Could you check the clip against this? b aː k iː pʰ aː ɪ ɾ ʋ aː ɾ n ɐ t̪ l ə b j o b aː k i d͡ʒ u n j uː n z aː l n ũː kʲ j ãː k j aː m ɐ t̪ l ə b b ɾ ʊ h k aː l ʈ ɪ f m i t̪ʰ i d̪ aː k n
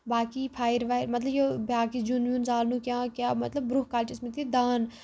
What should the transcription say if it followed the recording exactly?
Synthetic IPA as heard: b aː k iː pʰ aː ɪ ɾ ʋ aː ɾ m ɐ t̪ l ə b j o b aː k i d͡ʒ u n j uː n z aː l n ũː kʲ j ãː k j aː m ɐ t̪ l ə b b ɾ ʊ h k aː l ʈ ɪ s m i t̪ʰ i d̪ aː n